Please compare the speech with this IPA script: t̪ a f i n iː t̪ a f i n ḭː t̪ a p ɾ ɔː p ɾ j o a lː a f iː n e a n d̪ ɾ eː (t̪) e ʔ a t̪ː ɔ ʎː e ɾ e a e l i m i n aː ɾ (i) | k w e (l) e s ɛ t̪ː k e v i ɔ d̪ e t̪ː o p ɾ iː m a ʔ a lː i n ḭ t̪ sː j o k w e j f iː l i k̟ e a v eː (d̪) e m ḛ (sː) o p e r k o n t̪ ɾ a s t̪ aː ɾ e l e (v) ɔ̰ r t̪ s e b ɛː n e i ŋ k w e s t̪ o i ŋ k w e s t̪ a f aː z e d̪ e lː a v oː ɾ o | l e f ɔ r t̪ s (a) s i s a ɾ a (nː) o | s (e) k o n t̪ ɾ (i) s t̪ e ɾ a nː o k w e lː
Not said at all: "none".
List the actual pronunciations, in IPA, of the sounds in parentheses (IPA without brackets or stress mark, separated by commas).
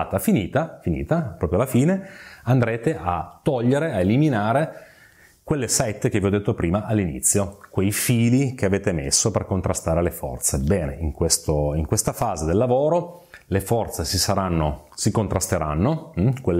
t̪, e, lː, t̪, sː, f, e, nː, i, a